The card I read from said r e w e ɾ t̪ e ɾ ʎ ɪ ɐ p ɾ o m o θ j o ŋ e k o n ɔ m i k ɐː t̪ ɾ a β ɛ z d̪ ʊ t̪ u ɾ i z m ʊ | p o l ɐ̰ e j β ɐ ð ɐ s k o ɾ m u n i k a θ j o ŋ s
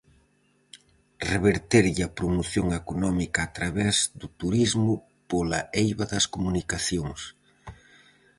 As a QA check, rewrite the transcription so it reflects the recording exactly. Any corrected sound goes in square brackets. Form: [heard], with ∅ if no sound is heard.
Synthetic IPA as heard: r e [β] e ɾ t̪ e ɾ ʎ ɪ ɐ p ɾ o m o θ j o ŋ e k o n ɔ m i k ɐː t̪ ɾ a β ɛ z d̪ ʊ t̪ u ɾ i z m ʊ | p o l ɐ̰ e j β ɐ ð ɐ s k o [∅] m u n i k a θ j o ŋ s